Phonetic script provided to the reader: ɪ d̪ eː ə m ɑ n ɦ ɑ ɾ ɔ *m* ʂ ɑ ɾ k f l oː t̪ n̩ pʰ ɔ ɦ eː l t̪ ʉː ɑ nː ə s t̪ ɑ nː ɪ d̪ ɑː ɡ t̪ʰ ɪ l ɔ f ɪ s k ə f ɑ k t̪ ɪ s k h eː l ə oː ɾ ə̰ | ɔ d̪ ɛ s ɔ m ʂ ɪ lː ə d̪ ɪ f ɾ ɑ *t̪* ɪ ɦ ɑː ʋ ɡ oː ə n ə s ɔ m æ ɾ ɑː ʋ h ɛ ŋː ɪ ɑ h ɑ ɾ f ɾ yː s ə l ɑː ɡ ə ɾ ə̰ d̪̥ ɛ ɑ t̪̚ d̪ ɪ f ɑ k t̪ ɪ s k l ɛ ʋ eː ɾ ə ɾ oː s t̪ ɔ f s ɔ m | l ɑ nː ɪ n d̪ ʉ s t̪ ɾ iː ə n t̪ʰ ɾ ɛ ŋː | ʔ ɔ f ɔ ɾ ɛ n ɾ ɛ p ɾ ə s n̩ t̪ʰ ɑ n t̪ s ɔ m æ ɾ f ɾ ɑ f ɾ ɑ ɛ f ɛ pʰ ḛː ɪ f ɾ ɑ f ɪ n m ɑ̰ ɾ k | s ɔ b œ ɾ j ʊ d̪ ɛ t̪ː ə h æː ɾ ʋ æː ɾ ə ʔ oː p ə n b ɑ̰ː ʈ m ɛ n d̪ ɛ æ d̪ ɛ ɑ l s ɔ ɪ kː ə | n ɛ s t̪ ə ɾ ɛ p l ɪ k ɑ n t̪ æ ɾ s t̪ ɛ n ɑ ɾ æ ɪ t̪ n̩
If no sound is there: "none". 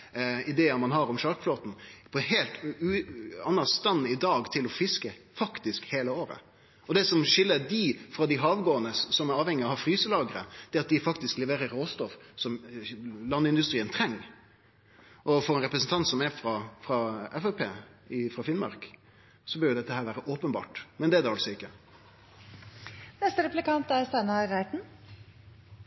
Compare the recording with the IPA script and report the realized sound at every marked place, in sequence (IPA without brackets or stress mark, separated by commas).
m, d̪